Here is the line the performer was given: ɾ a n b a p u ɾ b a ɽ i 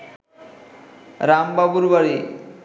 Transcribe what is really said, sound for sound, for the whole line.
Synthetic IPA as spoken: ɾ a m b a b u ɾ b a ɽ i